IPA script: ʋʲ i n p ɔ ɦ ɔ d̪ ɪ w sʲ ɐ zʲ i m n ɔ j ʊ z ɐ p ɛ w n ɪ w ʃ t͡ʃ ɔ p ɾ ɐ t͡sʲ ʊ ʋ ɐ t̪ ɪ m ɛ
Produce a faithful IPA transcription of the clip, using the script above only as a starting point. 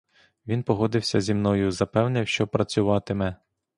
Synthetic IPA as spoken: ʋʲ i n p ɔ ɦ ɔ d̪ ɪ w sʲ ɐ zʲ i m n ɔ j ʊ z ɐ p ɛ w n ɪ w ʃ t͡ʃ ɔ p ɾ ɐ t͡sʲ ʊ ʋ ɑ t̪ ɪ m ɛ